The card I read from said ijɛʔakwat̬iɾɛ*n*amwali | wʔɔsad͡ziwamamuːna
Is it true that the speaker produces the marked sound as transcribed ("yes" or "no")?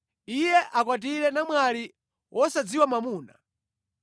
yes